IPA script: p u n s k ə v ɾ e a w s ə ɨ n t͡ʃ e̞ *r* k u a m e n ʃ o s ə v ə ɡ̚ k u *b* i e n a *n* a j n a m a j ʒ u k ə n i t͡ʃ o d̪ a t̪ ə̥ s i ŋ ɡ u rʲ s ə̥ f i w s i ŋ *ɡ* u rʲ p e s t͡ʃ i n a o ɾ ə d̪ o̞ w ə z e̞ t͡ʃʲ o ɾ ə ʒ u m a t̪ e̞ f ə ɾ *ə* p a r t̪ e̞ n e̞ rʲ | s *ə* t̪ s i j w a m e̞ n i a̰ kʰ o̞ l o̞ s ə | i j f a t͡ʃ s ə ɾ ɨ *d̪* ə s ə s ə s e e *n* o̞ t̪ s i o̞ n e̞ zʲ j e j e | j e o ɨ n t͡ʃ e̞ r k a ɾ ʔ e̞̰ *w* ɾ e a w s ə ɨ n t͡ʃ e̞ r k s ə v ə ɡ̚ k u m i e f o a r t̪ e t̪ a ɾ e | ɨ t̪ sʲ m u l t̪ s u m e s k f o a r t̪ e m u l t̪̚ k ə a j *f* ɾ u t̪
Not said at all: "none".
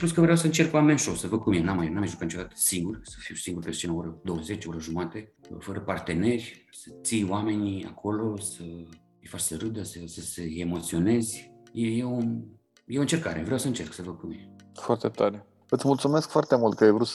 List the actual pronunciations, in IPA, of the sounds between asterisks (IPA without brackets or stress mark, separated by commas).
r, m, m, ɡ, ə, ə, d̪, m, v, v